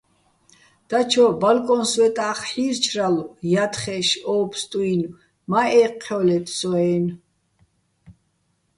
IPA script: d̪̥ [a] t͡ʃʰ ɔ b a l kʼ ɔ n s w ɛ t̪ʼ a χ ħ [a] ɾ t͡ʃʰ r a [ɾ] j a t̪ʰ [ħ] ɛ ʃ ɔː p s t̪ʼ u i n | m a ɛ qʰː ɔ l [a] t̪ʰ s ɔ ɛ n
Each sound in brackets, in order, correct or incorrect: correct, incorrect: i, incorrect: l, incorrect: χ, incorrect: ɛ

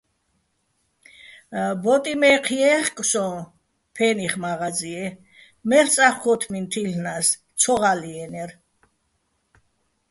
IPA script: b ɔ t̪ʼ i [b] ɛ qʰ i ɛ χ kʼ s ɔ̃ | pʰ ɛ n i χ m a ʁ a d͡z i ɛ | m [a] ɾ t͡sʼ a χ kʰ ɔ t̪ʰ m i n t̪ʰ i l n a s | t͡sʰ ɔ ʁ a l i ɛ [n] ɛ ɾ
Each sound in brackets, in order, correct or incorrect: incorrect: m, incorrect: ɛ, correct

